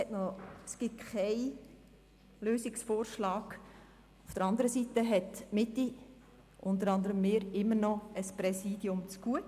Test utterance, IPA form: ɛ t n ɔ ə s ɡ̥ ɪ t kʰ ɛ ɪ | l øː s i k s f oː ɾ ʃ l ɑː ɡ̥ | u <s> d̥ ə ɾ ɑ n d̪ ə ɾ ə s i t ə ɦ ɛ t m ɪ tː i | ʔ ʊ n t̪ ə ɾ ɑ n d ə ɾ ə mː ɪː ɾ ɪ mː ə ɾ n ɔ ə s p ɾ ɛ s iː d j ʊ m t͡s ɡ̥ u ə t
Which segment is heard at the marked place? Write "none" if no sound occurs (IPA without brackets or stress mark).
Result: f